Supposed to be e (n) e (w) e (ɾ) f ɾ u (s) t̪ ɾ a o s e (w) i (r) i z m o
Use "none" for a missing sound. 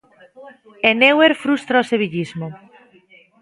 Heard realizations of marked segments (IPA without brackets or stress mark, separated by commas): n, w, ɾ, s, β, ʎ